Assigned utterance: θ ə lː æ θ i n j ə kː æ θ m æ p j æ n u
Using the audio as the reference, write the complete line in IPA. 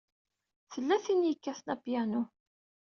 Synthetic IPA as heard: θ ə lː æ θ i n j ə kː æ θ n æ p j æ n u